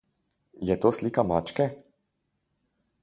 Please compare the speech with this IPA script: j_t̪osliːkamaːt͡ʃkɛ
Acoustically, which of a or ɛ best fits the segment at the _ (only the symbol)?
ɛ